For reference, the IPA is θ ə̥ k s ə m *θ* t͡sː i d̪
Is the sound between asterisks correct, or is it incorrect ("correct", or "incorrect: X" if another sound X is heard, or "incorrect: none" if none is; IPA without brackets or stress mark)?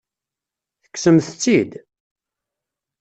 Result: correct